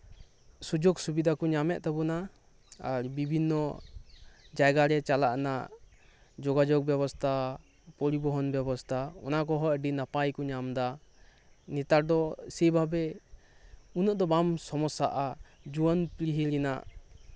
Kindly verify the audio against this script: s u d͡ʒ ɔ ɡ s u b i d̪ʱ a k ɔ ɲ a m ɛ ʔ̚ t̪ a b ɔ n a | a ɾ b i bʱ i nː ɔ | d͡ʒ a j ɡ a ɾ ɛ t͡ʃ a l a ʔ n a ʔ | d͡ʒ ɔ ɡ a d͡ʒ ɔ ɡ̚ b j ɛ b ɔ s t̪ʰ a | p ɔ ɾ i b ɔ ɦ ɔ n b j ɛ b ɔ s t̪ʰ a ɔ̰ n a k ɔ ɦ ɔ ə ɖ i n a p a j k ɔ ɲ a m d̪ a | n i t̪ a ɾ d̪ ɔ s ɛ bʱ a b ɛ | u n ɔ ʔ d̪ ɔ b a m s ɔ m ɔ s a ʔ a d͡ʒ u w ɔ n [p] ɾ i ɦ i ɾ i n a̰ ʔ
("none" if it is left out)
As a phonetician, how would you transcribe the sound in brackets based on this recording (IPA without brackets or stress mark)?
p